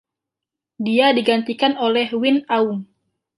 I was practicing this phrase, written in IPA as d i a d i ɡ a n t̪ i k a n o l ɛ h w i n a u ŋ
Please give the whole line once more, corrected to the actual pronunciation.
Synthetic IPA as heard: d i a d i ɡ a n t̪ i k a n o l ɛ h w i n a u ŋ